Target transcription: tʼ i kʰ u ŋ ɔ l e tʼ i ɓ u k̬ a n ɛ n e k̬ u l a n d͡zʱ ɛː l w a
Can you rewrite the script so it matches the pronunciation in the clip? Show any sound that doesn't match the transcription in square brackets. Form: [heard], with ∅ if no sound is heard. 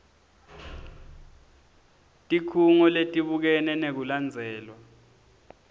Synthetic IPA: tʼ i kʰ u ŋ ɔ l e tʼ i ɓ u k̬ [ɛ] n ɛ n e k̬ u l a n d͡zʱ ɛː l w a